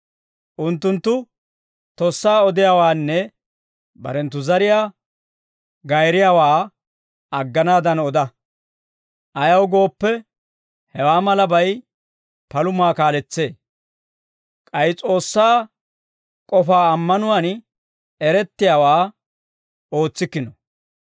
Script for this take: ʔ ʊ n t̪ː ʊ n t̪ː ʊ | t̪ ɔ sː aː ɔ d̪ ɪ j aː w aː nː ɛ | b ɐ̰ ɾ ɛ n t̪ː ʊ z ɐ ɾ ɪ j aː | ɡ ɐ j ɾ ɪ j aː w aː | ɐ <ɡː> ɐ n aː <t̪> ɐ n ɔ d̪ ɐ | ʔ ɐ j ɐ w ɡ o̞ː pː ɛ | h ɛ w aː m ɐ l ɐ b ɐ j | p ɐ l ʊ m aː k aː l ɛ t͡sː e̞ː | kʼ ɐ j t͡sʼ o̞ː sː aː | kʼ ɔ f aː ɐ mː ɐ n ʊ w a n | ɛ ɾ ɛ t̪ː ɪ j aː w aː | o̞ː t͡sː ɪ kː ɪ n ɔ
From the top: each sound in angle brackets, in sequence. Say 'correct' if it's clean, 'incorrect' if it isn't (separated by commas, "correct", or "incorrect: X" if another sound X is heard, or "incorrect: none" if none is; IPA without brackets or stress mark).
correct, incorrect: d̪